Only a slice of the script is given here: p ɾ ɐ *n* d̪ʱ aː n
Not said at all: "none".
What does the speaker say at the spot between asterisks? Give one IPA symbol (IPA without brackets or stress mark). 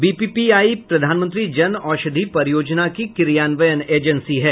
none